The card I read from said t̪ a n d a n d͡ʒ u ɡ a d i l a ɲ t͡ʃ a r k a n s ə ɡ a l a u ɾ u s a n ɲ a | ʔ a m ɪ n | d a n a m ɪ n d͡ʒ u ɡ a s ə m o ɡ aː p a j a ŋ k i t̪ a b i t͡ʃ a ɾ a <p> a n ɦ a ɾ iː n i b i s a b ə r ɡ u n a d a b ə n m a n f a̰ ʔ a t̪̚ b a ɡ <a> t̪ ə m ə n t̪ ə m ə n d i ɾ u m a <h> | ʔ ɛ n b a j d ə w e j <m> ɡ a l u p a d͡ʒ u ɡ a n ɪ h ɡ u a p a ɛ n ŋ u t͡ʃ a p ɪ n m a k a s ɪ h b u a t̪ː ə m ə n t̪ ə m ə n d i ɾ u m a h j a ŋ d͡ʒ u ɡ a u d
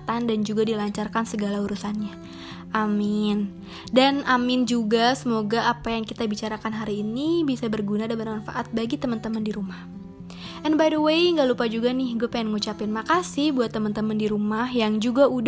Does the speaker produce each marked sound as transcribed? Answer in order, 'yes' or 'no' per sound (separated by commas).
no, no, yes, no